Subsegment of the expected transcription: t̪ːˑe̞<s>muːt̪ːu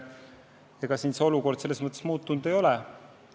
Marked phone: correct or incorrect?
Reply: correct